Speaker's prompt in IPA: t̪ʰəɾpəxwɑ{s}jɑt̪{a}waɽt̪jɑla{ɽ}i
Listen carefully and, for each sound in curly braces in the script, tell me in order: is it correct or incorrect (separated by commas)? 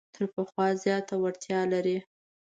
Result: incorrect, correct, incorrect